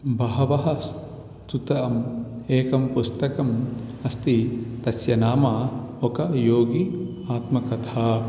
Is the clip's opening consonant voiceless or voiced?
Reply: voiced